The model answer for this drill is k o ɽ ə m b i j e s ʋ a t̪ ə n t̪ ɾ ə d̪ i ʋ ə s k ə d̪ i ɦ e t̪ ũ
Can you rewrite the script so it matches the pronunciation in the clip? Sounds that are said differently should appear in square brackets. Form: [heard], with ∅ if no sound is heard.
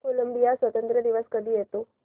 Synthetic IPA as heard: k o [l] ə m b i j [a] s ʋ [ə] t̪ ə n t̪ ɾ ə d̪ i ʋ ə s k ə d̪ i ɦ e t̪ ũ